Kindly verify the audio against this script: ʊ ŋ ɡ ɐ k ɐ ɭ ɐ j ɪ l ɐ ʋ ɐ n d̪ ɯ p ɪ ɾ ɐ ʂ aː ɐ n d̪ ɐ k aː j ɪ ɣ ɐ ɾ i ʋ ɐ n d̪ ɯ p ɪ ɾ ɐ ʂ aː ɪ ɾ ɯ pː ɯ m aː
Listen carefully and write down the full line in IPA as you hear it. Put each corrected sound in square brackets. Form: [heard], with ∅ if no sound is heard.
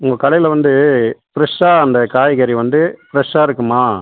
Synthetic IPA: ʊ ŋ ɡ ɐ k ɐ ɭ ɐ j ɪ l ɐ ʋ ɐ n d̪ ɯ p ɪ ɾ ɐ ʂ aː ɐ n d̪ ɐ k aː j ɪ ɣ ɐ ɾ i ʋ ɐ n d̪ ɯ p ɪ ɾ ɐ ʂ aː ɪ ɾ ɯ [kː] ɯ m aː

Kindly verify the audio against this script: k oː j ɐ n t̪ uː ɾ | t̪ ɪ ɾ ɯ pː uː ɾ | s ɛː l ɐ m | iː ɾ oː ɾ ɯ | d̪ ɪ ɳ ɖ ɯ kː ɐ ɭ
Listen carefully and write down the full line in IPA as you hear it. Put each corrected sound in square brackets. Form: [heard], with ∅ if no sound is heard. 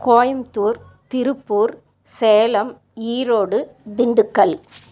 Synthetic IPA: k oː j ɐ [m] t̪ uː ɾ | t̪ ɪ ɾ ɯ pː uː ɾ | s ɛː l ɐ m | iː ɾ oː [ɽ] ɯ | d̪ ɪ ɳ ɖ ɯ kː ɐ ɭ

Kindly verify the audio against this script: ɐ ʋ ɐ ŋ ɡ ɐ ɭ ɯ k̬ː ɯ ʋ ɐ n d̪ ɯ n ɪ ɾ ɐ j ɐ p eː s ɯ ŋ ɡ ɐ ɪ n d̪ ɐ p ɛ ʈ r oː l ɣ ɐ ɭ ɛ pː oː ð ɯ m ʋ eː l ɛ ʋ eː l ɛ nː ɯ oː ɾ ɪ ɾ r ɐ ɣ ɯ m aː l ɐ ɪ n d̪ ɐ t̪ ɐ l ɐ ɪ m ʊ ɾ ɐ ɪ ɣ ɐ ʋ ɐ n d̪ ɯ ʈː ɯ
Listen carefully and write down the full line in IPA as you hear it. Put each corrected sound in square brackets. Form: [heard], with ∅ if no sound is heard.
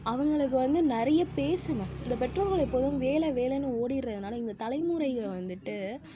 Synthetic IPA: ɐ ʋ ɐ ŋ ɡ ɐ ɭ ɯ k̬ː ɯ ʋ ɐ n d̪ ɯ n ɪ ɾ ɐ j ɐ p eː s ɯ ŋ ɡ ɐ ɪ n d̪ ɐ p ɛ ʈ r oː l ɣ ɐ ɭ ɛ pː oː ð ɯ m ʋ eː l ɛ ʋ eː l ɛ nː ɯ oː [ɽ] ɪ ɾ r ɐ [ð] ɯ [n] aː l ɐ ɪ n d̪ ɐ t̪ ɐ l ɐ ɪ m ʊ ɾ ɐ ɪ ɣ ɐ ʋ ɐ n d̪ ɯ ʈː ɯ

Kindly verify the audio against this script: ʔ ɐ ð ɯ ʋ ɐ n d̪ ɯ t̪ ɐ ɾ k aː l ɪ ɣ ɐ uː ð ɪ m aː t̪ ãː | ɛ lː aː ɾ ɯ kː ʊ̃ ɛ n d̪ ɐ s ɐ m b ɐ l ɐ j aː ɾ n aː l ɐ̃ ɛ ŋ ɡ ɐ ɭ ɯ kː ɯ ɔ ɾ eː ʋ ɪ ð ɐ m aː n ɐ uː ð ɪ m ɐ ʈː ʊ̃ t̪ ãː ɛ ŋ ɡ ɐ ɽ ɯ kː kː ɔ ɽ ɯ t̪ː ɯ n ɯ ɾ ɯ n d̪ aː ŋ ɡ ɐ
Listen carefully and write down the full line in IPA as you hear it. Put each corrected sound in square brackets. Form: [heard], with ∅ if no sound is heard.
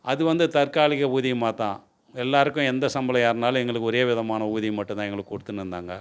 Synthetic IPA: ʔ ɐ ð ɯ ʋ ɐ n d̪ ɯ t̪ ɐ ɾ k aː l ɪ ɣ ɐ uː ð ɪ m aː t̪ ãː | ɛ lː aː ɾ ɯ kː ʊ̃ ɛ n d̪ ɐ s ɐ m b ɐ l ɐ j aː ɾ n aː l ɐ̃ ɛ ŋ ɡ ɐ ɭ ɯ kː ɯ ɔ ɾ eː ʋ ɪ ð ɐ m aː n ɐ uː ð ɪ m ɐ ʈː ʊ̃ t̪ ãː ɛ ŋ ɡ ɐ [ɭ] ɯ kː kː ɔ ɽ ɯ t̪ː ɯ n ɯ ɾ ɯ n d̪ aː ŋ ɡ ɐ

